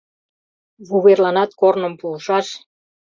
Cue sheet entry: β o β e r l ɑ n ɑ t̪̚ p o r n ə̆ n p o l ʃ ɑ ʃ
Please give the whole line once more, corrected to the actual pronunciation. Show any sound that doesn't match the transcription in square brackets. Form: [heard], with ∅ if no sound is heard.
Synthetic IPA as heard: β [u] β e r l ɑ n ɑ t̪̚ [k] o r n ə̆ [m] p [u] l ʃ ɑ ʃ